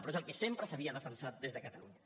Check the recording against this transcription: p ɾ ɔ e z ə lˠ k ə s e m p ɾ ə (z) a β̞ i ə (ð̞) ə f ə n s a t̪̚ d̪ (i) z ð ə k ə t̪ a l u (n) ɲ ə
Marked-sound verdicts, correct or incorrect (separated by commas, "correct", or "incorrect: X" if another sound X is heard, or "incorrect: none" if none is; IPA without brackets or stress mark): incorrect: s, correct, incorrect: e, incorrect: ɲ